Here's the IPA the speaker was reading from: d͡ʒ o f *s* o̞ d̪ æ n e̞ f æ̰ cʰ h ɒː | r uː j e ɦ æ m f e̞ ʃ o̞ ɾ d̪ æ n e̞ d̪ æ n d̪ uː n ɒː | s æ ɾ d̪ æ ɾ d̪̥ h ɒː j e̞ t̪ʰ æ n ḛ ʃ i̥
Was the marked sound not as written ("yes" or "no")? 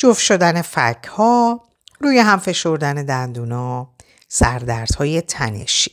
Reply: yes